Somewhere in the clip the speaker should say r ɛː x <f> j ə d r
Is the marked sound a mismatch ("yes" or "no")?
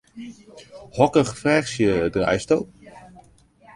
yes